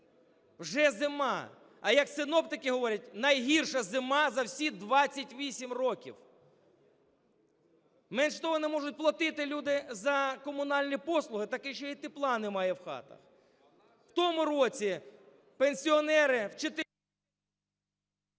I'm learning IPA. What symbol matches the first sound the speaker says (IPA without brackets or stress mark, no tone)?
w